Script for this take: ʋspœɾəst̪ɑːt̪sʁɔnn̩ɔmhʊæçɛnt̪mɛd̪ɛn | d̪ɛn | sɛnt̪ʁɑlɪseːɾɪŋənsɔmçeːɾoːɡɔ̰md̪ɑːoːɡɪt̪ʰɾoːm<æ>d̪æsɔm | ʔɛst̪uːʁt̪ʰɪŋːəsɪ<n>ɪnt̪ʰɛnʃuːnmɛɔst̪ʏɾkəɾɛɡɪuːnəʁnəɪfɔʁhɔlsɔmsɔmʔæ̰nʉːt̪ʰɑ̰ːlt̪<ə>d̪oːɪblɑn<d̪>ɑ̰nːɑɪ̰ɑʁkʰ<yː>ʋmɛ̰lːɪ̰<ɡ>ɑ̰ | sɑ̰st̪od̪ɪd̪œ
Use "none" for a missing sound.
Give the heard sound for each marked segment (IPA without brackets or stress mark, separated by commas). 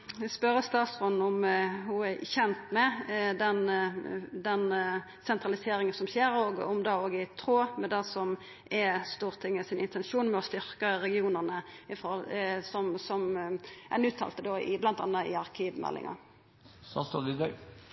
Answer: ɛ, n, ə, t̪, iː, ŋ